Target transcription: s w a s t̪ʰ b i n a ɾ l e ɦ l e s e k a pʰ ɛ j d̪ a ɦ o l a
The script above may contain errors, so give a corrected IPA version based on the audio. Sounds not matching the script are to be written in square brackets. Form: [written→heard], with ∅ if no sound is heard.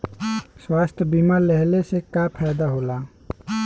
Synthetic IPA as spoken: s w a s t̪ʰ b i [n→m] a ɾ l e ɦ l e s e k a pʰ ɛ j d̪ a ɦ o l a